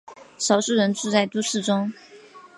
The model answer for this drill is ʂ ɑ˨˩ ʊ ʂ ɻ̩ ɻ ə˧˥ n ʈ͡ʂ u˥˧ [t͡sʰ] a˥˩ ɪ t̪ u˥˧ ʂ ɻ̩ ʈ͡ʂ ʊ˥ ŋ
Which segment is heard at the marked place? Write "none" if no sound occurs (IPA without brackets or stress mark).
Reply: t͡s